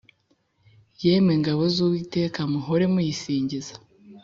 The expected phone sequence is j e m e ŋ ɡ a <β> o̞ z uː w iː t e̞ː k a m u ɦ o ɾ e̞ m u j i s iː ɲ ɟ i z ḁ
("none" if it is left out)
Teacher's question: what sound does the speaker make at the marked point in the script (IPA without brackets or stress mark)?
β